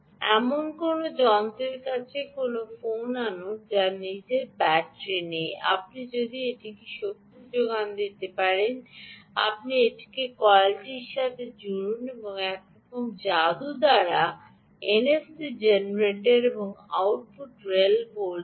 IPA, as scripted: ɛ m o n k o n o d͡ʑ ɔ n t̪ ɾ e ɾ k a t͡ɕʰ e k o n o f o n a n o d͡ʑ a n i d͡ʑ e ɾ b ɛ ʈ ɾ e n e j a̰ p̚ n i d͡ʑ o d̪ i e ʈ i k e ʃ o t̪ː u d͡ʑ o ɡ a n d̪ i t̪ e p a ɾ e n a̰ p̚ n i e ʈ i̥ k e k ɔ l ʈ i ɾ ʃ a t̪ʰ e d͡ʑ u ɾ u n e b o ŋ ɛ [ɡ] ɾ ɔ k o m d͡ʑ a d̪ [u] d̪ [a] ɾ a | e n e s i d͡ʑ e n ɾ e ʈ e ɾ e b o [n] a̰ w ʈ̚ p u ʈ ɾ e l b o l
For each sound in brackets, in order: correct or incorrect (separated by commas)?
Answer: incorrect, correct, correct, incorrect